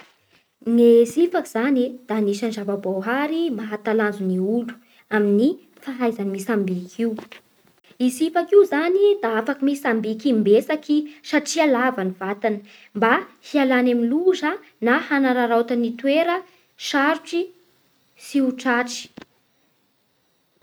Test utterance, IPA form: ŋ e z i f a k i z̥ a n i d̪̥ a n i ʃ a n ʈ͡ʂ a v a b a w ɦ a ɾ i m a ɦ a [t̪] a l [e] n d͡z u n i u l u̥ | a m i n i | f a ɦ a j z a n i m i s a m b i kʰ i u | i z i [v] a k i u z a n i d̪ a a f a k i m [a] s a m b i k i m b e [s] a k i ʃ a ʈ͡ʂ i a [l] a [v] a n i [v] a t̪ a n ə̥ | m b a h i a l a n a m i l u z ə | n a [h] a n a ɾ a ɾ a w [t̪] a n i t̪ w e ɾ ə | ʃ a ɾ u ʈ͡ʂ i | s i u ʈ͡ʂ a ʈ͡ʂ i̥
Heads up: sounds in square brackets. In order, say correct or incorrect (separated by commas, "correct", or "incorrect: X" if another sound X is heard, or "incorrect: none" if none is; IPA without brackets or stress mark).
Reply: correct, incorrect: a, incorrect: f, incorrect: i, correct, correct, correct, correct, correct, correct